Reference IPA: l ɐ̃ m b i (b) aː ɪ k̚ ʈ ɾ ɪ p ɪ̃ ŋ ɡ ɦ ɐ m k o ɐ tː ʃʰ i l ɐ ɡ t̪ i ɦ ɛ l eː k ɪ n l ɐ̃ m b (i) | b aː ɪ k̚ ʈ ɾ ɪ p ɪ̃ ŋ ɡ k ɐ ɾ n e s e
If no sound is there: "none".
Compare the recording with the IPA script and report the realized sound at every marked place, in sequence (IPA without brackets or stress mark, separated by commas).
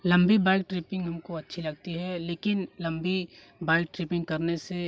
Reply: b, i